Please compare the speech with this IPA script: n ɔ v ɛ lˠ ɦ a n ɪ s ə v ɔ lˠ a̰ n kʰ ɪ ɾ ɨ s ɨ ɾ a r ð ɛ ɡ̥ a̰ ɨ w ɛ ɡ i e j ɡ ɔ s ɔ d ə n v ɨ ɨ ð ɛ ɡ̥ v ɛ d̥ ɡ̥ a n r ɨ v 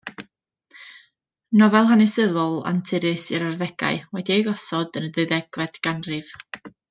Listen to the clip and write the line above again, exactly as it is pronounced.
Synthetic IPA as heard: n ɔ v ɛ lˠ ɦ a n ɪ s ə ð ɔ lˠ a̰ n tʰ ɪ ɾ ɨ s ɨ ɾ a r ð ɛ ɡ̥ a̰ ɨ w ɛ d i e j ɡ ɔ s ɔ d ə n ð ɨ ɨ ð ɛ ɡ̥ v ɛ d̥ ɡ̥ a n r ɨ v